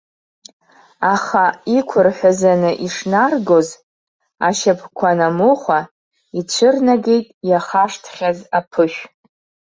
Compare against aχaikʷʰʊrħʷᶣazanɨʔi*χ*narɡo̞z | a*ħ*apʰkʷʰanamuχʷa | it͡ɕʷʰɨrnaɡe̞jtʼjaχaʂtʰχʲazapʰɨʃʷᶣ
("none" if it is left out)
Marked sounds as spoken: ʂ, ʃ

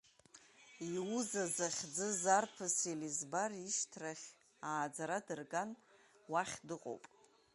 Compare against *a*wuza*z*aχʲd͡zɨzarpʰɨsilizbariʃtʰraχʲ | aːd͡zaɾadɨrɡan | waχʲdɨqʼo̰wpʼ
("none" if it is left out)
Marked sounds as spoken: i, z

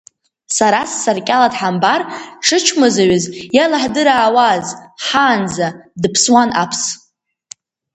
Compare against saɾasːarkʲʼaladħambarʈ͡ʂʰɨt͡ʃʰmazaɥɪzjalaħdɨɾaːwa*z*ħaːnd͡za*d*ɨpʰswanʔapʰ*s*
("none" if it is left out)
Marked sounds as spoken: z, d, s

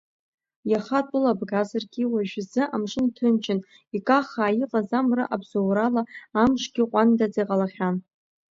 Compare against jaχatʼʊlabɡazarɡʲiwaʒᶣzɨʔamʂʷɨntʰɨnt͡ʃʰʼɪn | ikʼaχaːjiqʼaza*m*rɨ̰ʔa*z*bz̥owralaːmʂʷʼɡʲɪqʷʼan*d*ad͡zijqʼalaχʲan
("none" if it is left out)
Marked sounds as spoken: m, none, d

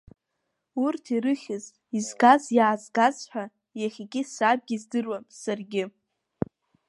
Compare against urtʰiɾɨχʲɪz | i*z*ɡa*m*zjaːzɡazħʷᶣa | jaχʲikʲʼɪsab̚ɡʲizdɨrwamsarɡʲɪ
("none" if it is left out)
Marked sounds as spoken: z, none

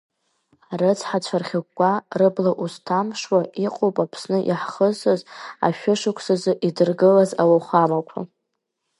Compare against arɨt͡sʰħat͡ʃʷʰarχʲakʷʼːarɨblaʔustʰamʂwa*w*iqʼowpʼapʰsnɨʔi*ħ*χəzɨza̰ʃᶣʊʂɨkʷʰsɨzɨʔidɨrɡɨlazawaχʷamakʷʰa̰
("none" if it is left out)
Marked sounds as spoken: none, ħ

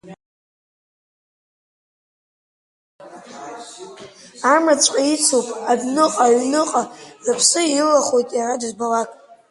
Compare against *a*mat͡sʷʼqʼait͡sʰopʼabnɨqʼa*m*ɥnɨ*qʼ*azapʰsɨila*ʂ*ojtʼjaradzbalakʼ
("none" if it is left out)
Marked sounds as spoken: a, none, qʼ, χ

